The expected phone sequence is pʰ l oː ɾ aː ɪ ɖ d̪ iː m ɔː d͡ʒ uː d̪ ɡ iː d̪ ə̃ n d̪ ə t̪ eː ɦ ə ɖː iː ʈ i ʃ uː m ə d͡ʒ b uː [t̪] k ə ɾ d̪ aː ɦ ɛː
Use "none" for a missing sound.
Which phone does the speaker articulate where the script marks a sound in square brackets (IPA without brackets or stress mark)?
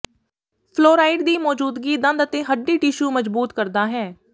t̪